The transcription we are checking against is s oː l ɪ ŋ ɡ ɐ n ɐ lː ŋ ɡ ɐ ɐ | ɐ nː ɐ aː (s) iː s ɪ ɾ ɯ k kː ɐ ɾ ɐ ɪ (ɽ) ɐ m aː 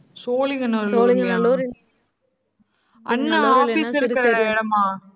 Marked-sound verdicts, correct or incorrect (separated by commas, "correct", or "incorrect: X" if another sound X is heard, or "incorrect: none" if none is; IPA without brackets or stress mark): incorrect: f, correct